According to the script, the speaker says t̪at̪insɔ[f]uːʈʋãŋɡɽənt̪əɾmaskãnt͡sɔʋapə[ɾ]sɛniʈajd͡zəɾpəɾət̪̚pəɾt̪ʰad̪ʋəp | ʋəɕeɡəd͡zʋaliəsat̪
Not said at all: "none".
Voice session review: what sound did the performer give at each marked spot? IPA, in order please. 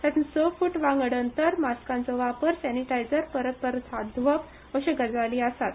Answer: f, ɾ

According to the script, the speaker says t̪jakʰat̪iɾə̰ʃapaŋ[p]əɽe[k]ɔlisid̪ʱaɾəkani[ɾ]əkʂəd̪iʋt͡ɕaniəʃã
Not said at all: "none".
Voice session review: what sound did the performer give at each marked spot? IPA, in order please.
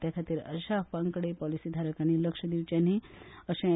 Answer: k, p, l

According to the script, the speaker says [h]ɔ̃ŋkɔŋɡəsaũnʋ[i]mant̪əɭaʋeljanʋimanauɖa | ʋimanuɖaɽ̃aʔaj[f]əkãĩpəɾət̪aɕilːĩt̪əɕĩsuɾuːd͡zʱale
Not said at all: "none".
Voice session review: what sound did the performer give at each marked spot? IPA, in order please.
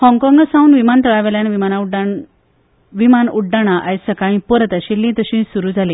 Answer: h, i, s

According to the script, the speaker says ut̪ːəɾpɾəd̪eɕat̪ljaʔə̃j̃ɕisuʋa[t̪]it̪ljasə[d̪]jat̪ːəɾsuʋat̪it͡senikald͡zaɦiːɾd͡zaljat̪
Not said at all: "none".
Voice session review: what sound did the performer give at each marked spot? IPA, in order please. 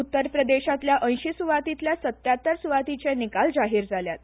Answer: t̪, t̪

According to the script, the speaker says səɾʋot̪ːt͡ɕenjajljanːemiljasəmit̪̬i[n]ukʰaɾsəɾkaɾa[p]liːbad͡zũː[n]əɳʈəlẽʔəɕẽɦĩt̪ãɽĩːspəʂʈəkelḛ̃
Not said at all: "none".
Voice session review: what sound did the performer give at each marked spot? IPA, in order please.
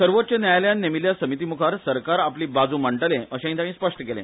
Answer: m, p, m

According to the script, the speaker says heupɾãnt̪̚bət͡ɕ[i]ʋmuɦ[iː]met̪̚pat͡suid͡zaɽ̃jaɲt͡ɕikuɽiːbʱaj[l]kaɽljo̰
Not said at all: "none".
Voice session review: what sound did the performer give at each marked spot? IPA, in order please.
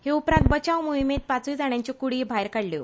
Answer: a, i, ɾ

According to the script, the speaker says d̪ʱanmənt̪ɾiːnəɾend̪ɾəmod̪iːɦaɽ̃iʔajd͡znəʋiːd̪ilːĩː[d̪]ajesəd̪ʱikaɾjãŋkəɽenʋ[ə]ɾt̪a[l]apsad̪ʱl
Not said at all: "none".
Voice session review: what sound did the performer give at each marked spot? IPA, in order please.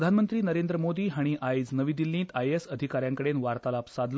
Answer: t̪, a, l

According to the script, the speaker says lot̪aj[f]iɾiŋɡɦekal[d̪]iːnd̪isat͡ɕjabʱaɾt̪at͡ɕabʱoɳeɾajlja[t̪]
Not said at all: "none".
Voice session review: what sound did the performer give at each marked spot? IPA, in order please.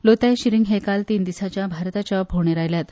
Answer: ɕ, t̪, t̪

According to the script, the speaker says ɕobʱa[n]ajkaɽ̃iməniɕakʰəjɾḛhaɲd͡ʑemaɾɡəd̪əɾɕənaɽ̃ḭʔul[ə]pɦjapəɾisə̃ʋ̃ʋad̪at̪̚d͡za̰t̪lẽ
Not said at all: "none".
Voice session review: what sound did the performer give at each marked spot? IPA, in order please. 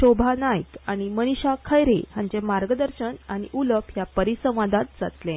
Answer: n, ə

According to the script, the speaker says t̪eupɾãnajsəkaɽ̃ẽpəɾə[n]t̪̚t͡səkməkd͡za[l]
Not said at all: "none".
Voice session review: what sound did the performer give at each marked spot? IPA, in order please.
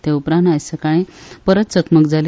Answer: none, l

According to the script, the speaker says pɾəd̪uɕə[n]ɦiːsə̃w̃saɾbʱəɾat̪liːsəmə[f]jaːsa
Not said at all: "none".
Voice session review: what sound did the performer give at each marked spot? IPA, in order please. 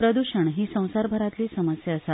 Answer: ɳ, s

